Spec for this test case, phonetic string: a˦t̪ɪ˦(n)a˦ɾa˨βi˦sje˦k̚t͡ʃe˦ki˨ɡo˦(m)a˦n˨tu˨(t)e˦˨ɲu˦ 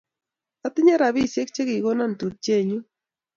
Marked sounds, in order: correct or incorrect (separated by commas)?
incorrect, incorrect, incorrect